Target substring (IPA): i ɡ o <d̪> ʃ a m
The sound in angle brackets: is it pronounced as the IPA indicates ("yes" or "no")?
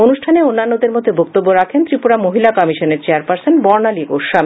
no